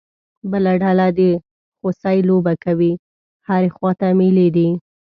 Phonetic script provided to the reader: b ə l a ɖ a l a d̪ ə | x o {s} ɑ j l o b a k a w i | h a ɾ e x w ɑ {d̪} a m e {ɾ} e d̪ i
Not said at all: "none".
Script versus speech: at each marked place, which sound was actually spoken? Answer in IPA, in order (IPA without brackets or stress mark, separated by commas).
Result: s, t̪, l